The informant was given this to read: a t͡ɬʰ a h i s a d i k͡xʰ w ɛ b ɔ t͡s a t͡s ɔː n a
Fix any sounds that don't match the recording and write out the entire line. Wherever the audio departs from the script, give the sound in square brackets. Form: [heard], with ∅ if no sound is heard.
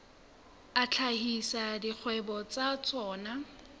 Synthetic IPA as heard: a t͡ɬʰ a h i s a d i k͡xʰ w ɛ b ɔ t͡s a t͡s ɔː n a